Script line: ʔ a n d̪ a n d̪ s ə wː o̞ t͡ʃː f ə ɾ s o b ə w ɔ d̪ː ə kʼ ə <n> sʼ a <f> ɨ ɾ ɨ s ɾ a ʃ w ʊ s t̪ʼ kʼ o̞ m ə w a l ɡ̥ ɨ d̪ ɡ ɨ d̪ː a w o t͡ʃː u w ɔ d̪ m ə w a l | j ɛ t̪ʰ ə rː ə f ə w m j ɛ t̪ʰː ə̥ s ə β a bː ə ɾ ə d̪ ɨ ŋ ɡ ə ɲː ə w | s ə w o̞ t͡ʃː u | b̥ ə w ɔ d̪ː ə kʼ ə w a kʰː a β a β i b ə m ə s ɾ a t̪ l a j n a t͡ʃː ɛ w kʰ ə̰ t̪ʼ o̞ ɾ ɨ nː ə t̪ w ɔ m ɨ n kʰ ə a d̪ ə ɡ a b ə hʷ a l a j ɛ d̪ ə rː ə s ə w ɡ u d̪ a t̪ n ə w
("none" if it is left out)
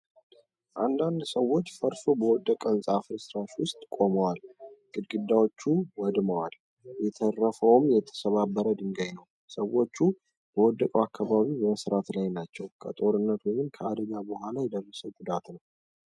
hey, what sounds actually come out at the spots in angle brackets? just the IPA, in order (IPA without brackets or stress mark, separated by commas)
n, f